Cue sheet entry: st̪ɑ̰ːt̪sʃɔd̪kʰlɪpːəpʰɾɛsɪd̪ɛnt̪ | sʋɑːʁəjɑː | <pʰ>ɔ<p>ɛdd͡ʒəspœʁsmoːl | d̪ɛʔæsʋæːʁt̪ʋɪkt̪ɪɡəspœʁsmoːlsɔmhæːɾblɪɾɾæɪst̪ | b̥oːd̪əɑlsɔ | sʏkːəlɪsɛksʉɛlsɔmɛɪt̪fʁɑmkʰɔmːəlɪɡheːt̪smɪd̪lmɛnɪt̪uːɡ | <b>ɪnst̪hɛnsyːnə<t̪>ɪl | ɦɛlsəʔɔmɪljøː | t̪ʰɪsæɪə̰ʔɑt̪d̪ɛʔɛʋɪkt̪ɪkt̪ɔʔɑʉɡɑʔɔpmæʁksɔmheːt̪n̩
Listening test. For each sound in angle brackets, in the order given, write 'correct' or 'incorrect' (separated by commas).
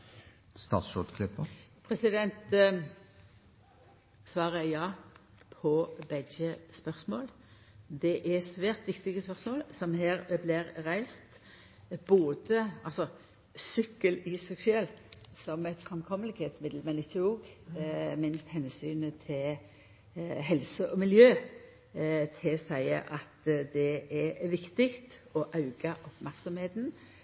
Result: correct, incorrect, incorrect, incorrect